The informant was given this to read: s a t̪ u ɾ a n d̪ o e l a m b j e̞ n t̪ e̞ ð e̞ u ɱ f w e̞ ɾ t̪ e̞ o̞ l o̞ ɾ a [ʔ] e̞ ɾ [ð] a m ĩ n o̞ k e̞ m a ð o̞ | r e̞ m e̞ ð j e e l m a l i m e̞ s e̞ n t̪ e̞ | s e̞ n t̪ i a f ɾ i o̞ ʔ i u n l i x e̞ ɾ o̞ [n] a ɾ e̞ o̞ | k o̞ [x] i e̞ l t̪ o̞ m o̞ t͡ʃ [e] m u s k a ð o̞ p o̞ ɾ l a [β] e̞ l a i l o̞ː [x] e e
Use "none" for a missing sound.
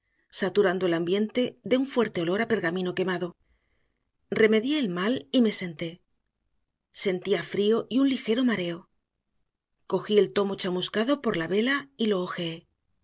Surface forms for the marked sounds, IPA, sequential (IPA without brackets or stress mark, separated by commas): p, ɣ, m, x, a, β, x